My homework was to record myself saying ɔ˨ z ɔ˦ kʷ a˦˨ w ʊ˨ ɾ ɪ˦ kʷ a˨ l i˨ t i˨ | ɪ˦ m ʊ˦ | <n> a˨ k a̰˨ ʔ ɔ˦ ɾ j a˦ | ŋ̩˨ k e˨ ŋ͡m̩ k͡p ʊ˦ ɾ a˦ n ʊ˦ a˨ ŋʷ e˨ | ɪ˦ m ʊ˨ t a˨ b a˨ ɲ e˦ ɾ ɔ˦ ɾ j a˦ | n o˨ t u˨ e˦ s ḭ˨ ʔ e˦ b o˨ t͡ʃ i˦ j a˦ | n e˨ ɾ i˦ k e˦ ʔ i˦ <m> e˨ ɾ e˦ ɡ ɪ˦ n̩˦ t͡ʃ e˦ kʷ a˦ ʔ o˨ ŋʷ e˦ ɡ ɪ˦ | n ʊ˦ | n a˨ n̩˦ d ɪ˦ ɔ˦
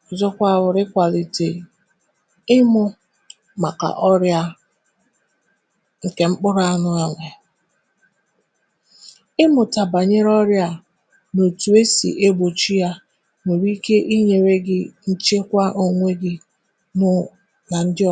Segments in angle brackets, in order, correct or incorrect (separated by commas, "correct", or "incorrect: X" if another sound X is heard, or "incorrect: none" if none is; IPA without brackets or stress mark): incorrect: m, incorrect: ɲ